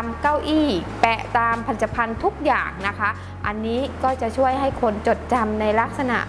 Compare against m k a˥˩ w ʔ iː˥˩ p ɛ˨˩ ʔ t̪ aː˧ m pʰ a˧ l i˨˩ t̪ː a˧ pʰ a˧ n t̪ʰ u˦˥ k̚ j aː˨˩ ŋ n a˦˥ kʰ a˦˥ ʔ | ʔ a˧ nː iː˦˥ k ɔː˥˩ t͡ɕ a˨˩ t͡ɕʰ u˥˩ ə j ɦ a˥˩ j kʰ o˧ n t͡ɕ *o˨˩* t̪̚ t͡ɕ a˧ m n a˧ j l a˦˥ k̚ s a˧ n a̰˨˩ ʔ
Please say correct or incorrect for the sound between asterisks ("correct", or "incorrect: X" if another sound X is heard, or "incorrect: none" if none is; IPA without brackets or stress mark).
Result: correct